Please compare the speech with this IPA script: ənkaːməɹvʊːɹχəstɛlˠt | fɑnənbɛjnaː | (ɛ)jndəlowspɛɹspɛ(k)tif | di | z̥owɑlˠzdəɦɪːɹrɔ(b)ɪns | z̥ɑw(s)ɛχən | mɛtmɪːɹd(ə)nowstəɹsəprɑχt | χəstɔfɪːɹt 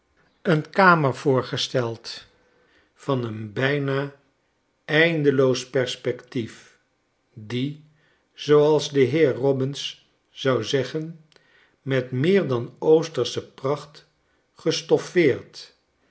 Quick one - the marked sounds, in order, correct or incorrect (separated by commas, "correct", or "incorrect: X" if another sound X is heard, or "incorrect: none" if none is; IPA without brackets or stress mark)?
correct, correct, correct, incorrect: z, incorrect: ɑ